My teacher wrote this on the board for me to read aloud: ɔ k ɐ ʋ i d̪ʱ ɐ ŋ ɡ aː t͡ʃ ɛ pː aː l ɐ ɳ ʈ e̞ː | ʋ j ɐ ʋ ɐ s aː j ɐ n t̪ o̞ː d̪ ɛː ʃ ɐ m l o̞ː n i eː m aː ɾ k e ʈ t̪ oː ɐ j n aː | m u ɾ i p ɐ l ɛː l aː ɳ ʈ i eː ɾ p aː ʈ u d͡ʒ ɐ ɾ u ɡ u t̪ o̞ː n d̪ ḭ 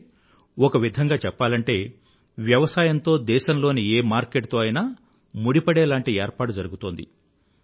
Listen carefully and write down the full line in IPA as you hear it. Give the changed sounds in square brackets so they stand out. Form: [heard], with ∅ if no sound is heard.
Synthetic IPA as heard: ɔ k ɐ ʋ i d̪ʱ ɐ ŋ ɡ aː t͡ʃ ɛ pː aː l ɐ ɳ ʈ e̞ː | ʋ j ɐ ʋ ɐ s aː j ɐ n t̪ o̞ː d̪ ɛː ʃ ɐ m l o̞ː n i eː m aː ɾ k e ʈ t̪ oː ɐ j n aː | m u [ɽ] i p ɐ [ɽ] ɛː l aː ɳ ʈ i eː ɾ p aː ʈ u d͡ʒ ɐ ɾ u ɡ u t̪ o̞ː n d̪ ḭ